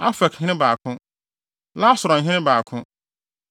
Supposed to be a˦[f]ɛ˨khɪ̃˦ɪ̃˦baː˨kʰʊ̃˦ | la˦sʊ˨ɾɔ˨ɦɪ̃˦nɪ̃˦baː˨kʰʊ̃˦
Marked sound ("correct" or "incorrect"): correct